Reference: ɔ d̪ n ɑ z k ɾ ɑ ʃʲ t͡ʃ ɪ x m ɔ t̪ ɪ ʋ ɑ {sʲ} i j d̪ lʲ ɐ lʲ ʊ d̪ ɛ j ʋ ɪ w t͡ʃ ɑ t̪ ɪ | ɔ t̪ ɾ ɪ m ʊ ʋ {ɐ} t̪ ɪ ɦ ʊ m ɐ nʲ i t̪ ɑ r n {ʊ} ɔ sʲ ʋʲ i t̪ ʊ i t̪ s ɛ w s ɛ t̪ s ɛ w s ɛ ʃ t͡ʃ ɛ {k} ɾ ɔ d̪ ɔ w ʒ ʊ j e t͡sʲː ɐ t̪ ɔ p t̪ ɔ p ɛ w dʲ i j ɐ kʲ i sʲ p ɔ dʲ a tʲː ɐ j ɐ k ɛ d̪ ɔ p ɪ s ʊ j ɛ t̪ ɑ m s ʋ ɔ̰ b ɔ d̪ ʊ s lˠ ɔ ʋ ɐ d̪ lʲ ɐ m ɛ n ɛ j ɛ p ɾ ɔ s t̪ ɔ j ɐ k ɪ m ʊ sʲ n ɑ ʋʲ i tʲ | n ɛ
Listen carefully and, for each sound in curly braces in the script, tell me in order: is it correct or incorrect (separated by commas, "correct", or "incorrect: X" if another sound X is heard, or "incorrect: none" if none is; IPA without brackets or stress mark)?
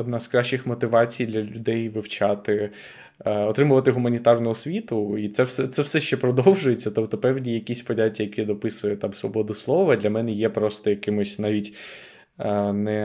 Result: incorrect: t͡sʲ, correct, correct, incorrect: p